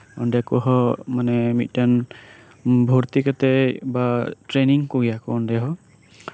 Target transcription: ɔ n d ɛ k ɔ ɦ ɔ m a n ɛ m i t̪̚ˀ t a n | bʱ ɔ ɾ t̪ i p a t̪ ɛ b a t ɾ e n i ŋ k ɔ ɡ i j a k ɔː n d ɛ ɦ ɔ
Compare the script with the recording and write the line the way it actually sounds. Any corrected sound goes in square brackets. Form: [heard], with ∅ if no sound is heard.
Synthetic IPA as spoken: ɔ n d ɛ k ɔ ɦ ɔ m a n ɛ m i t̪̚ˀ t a n | bʱ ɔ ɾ t̪ i [k] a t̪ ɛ b a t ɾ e n i ŋ k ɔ ɡ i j a k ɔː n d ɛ ɦ ɔ